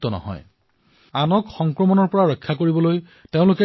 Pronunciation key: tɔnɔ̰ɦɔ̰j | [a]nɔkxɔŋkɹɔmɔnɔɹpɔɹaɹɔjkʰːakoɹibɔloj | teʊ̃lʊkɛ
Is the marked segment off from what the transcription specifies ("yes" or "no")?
no